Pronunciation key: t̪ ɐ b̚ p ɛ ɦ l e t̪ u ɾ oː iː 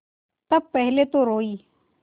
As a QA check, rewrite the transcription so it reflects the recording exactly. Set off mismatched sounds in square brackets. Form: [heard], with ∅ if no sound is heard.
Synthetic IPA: t̪ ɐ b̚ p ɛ ɦ l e t̪ [o] ɾ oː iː